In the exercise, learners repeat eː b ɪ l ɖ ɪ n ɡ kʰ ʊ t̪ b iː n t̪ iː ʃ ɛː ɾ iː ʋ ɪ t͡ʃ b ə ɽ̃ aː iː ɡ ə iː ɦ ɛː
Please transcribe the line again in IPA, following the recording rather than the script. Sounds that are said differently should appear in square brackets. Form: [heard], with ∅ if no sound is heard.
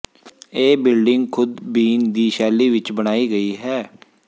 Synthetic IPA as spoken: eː b ɪ l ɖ ɪ [ŋ] ɡ kʰ ʊ [d̪] b iː n [d̪] iː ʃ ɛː [l] iː ʋ ɪ t͡ʃ b ə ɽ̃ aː iː ɡ ə iː ɦ ɛː